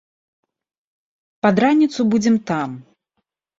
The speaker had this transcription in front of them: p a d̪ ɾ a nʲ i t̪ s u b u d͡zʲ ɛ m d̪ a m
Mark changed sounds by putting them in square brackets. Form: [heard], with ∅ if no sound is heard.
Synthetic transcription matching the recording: p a d̪ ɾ a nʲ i t̪ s u b u d͡zʲ ɛ m [t̪] a m